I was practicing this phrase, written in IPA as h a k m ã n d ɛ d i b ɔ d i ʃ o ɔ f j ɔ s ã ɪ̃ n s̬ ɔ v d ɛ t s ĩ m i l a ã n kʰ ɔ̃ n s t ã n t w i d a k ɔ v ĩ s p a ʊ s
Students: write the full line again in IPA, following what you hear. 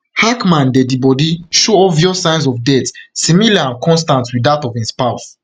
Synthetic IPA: h a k m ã n d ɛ d i b ɔ d i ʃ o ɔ v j ɔ s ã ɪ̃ n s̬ ɔ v d ɛ t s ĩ m i l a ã n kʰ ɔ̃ n s t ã n t w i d a t ɔ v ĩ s p a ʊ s